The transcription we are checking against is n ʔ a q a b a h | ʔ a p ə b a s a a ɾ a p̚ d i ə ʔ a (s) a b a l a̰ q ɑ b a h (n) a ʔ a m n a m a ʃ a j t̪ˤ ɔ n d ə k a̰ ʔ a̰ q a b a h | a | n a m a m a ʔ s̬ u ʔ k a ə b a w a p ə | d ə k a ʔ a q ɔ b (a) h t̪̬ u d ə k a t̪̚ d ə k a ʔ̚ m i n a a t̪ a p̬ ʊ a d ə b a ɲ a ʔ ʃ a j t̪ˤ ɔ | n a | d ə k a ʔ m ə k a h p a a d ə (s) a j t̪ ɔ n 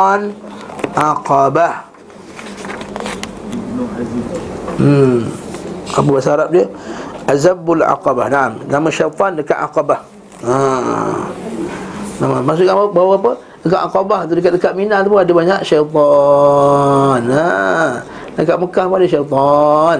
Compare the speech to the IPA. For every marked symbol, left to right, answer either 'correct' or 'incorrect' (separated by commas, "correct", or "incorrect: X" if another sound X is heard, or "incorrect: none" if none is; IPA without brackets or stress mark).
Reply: incorrect: z, correct, correct, incorrect: ʃ